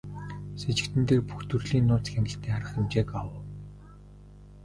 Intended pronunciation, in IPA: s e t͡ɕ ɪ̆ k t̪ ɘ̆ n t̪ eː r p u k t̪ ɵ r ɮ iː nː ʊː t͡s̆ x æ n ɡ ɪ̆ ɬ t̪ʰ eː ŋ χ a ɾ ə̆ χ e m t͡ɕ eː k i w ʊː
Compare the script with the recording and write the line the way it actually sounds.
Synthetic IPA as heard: s e t͡ɕ ɪ̆ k t̪ ɘ̆ n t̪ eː r p u x t̪ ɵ r ɮ iː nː ʊː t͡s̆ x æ ŋ ɡ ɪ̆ ɬ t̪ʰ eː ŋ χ a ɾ ə̆ χ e m t͡ɕ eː k a w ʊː